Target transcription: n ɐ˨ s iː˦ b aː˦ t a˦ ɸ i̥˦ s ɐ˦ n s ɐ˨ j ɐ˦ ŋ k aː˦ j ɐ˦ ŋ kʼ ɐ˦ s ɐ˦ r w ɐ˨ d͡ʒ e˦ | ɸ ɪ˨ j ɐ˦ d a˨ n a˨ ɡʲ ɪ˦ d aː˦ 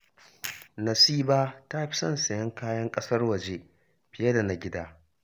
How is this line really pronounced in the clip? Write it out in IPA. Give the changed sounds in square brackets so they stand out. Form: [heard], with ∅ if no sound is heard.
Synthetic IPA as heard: n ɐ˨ s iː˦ b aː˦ t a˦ ɸ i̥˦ s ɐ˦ n s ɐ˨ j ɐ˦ ŋ k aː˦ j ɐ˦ ŋ kʼ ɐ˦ s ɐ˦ r w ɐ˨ d͡ʒ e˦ | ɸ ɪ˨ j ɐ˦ d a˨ n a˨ ɡʲ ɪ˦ d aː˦